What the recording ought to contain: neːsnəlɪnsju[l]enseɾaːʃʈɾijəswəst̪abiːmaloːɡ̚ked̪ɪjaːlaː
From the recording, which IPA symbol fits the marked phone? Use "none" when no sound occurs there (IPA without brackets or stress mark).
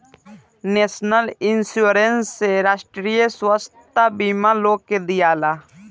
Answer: ɾ